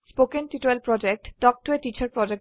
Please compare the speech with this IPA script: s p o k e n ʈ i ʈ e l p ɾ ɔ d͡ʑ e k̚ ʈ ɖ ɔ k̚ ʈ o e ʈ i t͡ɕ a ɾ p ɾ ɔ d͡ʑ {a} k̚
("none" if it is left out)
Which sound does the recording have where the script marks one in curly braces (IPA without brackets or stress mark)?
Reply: e